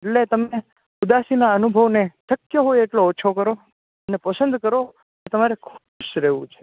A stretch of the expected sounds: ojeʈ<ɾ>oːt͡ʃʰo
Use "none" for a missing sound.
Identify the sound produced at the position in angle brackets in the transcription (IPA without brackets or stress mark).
l